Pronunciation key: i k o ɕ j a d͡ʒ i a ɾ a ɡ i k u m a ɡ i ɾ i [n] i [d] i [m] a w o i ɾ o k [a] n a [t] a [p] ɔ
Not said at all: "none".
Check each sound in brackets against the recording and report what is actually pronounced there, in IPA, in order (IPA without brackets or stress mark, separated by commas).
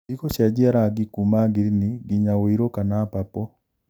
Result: n, ɡ, ɲ, a, p, p